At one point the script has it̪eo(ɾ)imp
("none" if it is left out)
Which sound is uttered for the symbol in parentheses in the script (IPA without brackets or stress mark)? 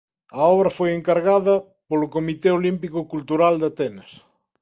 l